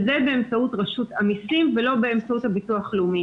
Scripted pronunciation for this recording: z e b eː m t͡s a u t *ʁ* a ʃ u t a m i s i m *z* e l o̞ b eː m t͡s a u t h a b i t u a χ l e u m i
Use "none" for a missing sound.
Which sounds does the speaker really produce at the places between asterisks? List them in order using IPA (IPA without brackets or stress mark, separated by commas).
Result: ʁ, v